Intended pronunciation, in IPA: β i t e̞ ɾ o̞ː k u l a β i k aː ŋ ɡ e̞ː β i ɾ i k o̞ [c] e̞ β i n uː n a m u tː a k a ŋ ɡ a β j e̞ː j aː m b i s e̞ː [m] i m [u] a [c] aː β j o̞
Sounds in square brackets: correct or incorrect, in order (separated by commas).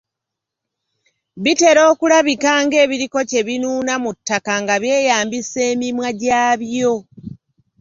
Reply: correct, correct, incorrect, incorrect